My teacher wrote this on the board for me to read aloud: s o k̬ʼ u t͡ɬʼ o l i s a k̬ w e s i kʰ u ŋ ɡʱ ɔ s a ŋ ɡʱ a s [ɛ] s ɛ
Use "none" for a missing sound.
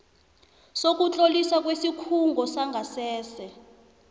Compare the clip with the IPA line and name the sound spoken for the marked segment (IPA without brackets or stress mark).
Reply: ɛː